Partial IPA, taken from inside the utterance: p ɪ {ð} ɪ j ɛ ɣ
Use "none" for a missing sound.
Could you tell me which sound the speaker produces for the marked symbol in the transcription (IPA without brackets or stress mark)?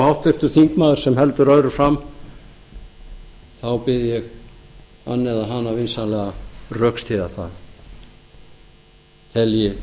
ð